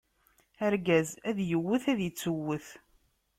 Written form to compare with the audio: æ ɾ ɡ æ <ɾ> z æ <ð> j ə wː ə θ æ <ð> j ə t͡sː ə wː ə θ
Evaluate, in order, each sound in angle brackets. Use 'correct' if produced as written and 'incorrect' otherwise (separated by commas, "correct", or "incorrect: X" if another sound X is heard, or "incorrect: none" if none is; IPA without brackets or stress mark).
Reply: incorrect: none, correct, correct